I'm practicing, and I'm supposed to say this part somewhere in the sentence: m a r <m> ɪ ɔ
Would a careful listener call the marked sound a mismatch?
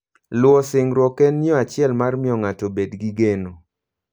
no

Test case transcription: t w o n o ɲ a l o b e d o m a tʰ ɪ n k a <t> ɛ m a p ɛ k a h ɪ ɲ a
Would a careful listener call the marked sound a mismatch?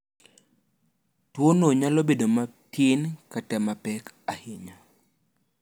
no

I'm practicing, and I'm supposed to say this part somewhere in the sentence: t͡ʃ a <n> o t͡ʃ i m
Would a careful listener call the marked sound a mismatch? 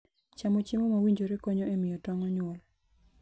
yes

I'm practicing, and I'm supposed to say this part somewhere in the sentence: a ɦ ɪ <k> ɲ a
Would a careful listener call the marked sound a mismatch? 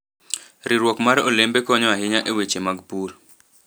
yes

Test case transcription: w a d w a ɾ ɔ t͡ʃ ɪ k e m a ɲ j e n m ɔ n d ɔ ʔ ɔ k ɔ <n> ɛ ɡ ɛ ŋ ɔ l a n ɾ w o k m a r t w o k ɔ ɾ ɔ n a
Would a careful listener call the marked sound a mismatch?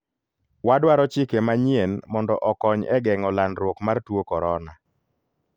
yes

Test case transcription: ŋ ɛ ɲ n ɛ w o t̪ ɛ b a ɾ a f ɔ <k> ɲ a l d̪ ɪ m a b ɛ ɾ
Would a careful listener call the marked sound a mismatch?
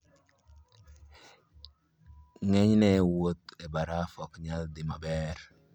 no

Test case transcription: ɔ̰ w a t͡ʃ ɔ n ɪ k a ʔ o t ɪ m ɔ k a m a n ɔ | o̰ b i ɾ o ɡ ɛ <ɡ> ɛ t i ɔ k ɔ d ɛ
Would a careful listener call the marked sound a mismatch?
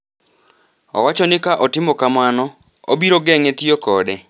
yes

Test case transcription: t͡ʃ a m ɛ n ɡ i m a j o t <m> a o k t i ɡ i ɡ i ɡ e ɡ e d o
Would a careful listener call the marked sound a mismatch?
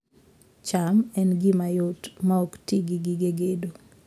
no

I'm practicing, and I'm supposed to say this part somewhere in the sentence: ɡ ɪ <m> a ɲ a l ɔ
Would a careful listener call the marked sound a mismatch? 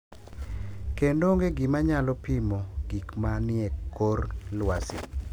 no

